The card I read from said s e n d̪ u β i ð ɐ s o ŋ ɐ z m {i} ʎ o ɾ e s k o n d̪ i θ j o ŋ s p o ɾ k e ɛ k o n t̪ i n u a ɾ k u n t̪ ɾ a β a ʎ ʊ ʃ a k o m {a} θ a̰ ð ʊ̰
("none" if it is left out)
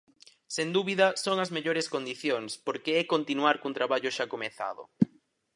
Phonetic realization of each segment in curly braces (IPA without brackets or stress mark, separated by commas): e, e